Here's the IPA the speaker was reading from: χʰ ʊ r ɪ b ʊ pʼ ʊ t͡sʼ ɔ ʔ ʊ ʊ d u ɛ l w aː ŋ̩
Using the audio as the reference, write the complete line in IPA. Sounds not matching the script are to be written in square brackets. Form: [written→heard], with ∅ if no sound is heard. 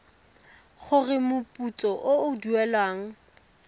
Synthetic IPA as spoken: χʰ ʊ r ɪ [b→m] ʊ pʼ [ʊ→u] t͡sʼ ɔ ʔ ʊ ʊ d u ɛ l w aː ŋ̩